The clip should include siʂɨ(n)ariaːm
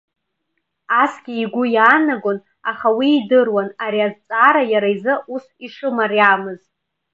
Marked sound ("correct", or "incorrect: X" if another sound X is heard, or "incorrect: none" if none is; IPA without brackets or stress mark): incorrect: m